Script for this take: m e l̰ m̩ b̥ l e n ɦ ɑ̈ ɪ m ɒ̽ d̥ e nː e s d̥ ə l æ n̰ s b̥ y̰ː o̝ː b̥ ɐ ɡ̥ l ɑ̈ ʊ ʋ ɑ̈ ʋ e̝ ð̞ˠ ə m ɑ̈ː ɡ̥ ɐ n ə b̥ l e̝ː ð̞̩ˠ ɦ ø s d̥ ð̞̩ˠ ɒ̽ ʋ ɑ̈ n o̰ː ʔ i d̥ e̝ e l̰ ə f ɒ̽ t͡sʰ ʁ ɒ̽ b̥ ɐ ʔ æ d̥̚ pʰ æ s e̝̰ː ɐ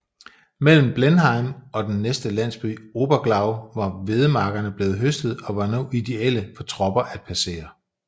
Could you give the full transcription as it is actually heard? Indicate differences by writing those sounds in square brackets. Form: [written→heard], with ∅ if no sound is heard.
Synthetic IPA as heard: m e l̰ m̩ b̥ l e n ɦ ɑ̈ ɪ m ɒ̽ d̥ e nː e s d̥ ə l æ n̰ s b̥ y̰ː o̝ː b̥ ɐ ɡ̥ l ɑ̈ ʊ ʋ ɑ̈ ʋ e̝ ð̞ˠ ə m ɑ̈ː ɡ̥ ɐ n ə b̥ l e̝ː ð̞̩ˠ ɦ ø s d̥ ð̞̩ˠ ɒ̽ ʋ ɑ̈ n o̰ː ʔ i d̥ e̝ e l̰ ə f ɒ̽ t͡sʰ ʁ ɒ̽ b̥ ɐ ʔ æ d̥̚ pʰ æ s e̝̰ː ɐ